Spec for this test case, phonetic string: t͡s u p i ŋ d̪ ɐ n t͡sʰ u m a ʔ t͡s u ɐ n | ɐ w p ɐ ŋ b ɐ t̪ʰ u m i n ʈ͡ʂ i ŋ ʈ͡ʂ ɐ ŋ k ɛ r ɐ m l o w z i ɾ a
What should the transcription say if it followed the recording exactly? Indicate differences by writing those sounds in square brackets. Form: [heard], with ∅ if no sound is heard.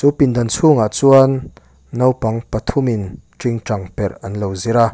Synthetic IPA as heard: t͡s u p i [n] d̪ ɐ n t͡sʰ u [ŋ] a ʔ t͡s u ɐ [nː] | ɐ w p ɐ ŋ [p] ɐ t̪ʰ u m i n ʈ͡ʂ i ŋ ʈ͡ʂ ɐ ŋ [p] ɛ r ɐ [n] l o w z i ɾ a